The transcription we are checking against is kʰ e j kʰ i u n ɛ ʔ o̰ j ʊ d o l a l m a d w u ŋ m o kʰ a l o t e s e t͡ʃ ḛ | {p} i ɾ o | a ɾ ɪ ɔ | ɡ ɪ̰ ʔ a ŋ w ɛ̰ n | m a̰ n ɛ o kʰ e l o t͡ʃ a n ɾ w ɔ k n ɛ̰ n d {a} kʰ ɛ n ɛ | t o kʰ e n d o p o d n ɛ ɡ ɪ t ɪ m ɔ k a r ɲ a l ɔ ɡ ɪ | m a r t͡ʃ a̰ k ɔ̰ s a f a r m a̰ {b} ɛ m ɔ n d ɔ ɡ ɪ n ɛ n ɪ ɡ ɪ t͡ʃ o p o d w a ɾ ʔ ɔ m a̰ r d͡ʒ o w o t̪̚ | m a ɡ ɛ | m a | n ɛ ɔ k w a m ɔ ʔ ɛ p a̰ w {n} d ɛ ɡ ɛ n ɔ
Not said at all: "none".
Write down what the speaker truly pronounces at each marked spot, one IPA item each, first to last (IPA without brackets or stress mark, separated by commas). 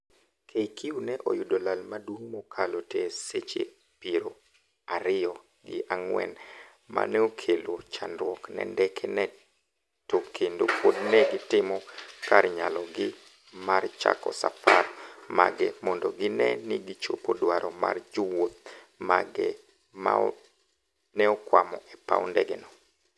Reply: p, ɛ, ɡ, n